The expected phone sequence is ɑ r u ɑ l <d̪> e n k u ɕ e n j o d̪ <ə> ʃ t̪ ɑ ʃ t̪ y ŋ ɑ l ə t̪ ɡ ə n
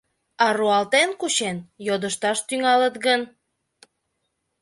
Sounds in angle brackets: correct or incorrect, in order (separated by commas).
incorrect, correct